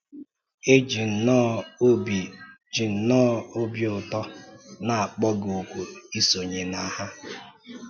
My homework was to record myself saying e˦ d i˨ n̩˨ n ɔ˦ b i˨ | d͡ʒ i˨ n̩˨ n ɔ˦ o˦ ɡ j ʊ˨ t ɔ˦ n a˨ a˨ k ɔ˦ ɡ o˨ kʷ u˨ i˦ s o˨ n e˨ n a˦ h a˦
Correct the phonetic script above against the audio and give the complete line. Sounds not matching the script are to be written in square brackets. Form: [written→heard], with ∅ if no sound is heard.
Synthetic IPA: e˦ [d→d͡ʒ] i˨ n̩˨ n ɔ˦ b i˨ | d͡ʒ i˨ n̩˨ n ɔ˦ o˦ [ɡ→b] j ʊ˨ t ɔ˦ n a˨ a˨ [k→k͡p] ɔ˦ ɡ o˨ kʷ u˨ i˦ s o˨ [n→ɲ] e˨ n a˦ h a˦